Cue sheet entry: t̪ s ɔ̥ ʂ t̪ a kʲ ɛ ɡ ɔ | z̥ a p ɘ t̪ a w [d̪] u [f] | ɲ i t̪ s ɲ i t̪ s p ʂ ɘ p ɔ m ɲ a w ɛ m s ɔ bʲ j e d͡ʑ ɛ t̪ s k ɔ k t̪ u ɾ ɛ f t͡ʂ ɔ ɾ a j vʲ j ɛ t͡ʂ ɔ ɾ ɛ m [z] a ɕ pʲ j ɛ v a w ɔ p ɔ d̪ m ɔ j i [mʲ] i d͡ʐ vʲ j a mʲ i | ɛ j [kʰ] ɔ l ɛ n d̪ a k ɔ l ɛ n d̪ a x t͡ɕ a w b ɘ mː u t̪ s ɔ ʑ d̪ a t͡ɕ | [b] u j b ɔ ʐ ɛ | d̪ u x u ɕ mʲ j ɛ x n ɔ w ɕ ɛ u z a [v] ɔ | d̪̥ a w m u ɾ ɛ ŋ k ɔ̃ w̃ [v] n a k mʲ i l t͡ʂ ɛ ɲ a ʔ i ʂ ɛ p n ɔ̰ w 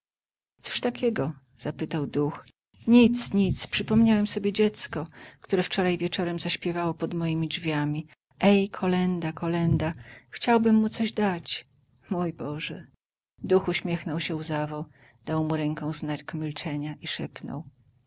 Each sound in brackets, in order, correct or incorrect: correct, incorrect: x, correct, correct, correct, incorrect: m, correct, incorrect: z

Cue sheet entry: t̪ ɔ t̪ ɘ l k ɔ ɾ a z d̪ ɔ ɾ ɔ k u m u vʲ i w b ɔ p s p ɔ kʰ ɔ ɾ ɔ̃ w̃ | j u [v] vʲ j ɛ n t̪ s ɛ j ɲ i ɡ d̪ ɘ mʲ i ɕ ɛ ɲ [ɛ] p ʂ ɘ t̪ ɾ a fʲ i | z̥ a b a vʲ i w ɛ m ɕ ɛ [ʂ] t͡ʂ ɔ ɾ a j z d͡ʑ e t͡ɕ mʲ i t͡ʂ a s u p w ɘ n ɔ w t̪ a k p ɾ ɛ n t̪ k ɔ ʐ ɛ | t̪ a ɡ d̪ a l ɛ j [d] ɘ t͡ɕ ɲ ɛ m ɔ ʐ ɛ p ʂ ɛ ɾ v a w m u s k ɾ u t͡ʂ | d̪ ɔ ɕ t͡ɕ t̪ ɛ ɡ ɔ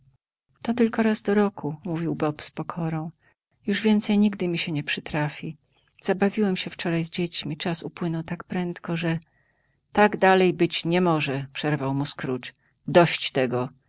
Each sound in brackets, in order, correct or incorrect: incorrect: ʐ, correct, incorrect: f, incorrect: b

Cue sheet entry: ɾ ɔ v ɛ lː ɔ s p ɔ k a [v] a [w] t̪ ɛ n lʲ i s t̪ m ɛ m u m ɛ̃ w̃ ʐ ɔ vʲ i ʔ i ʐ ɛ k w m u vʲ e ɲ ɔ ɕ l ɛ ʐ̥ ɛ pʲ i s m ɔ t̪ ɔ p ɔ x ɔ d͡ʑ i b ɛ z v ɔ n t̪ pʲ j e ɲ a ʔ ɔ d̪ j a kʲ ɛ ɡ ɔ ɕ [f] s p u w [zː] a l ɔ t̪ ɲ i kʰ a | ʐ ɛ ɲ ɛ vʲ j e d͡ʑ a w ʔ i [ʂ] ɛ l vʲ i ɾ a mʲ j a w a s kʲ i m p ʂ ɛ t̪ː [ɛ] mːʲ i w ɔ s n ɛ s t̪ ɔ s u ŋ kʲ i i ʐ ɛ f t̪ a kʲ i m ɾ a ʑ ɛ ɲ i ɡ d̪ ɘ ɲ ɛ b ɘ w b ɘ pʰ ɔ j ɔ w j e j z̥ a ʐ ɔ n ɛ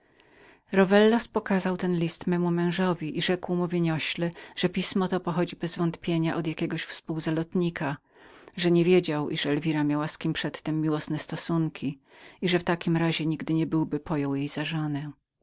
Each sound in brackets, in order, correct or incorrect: incorrect: z, correct, correct, incorrect: z, correct, correct

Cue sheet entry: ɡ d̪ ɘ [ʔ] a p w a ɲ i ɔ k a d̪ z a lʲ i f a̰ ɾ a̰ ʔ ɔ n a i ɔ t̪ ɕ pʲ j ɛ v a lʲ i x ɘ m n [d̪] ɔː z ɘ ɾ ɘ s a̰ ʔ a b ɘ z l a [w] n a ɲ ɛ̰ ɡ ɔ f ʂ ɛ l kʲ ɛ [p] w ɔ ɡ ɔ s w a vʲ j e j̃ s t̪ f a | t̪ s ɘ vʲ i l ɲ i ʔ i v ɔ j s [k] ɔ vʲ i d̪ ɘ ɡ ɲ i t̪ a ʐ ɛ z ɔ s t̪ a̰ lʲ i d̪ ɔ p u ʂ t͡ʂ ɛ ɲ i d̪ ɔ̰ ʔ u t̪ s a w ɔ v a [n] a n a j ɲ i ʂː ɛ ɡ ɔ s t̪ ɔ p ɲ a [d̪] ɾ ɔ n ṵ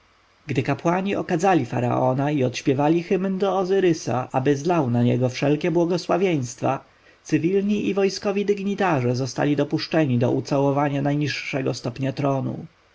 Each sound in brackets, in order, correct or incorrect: incorrect: k, correct, correct, incorrect: b, correct, incorrect: ɲ, incorrect: t̪

